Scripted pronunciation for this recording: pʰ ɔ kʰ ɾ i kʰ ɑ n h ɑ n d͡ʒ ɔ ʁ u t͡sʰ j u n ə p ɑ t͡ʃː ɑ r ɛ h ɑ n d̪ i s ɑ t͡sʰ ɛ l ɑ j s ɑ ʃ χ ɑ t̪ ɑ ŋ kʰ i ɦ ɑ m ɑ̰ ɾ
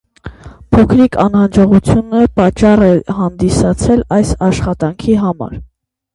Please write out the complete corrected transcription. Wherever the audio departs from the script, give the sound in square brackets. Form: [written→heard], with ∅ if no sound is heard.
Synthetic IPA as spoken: pʰ ɔ kʰ ɾ i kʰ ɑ n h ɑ n d͡ʒ ɔ ʁ u t͡sʰ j u n ə p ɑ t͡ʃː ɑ r ɛ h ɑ n d̪ i s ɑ t͡sʰ ɛ l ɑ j s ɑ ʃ χ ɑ t̪ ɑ ŋ kʰ i ɦ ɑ m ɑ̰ ɾ